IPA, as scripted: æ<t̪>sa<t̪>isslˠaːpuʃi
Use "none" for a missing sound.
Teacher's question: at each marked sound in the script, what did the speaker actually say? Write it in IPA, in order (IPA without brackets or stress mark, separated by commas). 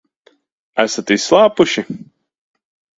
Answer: none, t̪